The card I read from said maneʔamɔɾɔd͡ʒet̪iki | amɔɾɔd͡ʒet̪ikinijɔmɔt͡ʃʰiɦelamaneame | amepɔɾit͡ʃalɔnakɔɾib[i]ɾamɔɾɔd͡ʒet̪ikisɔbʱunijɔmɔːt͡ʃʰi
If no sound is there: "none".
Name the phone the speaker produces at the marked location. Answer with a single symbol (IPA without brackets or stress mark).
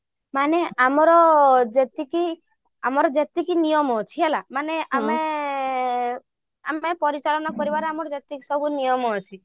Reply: a